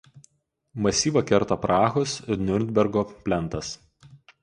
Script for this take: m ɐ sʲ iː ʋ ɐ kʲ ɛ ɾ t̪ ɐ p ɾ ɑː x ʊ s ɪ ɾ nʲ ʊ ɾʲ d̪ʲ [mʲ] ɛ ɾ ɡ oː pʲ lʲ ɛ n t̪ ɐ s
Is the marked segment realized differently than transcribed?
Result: yes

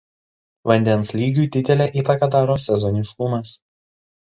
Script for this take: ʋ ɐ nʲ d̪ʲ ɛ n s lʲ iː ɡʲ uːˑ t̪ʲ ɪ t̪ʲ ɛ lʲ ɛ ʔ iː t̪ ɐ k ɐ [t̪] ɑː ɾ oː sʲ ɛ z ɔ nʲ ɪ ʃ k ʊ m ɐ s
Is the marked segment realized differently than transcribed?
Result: yes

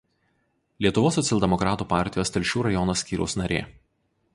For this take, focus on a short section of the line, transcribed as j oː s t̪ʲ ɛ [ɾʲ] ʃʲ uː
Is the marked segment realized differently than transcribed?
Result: yes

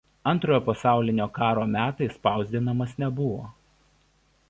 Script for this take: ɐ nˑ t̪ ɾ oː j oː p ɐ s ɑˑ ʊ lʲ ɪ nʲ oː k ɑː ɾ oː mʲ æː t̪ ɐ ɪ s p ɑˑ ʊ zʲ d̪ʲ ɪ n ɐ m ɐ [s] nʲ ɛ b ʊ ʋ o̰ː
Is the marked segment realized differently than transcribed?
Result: no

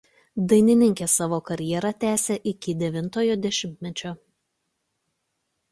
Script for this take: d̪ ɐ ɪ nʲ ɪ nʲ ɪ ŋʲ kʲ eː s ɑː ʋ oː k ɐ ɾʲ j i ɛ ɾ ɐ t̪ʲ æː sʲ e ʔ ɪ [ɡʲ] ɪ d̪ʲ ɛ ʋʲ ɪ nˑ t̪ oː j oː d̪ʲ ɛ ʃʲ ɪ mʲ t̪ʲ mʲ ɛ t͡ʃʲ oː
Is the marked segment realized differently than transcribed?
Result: yes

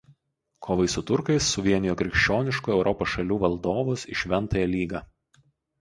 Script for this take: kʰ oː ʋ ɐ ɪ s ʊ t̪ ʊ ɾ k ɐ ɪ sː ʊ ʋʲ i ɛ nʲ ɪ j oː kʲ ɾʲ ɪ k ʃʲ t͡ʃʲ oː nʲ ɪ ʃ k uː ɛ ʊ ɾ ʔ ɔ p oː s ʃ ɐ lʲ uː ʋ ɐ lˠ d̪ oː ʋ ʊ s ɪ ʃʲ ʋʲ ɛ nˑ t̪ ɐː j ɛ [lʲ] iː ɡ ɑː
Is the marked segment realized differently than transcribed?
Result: no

